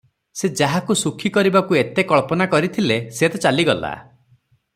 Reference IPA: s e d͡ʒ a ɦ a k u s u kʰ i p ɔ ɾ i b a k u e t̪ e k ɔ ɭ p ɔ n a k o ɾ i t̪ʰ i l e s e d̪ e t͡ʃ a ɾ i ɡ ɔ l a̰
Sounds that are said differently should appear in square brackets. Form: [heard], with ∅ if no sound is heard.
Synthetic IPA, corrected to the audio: s e d͡ʒ a ɦ a k u s u kʰ i [k] ɔ ɾ i b a k u e t̪ e k ɔ ɭ p ɔ n a k [ɔ] ɾ i t̪ʰ i l e s e [t̪] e t͡ʃ a [l] i ɡ ɔ l a̰